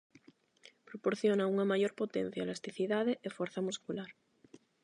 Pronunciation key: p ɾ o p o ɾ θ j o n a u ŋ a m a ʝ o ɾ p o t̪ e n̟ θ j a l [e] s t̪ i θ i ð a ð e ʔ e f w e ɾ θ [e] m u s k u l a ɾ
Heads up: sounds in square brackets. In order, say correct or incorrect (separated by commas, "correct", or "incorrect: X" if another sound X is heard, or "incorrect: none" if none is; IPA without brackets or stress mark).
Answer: incorrect: a, incorrect: a